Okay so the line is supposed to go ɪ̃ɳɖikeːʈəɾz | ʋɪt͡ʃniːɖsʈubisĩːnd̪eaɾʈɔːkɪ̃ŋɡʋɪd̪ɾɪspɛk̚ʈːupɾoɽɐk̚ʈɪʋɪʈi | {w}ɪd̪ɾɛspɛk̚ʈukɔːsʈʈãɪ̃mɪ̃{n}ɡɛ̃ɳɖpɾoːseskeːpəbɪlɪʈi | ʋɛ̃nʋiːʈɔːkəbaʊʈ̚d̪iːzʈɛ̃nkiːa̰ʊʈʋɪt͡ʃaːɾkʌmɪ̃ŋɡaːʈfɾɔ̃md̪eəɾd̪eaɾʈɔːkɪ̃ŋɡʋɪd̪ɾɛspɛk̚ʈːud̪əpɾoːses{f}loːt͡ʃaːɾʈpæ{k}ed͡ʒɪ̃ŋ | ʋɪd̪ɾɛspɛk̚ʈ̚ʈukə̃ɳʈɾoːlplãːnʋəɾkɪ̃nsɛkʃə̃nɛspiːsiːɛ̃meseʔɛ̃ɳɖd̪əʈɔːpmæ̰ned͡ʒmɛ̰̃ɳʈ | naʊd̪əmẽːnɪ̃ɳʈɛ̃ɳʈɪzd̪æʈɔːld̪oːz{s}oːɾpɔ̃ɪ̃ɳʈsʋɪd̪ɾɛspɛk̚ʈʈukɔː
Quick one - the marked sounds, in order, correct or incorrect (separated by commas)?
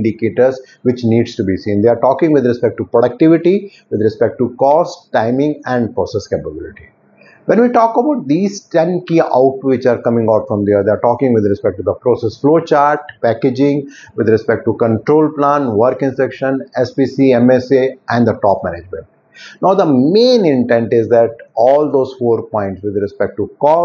incorrect, incorrect, correct, correct, incorrect